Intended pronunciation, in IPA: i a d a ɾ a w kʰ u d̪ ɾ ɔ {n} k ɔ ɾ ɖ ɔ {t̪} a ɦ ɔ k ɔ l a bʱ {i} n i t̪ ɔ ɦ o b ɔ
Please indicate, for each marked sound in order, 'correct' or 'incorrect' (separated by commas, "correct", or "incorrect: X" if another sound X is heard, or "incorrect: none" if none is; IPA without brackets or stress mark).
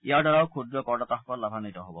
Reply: incorrect: none, correct, incorrect: a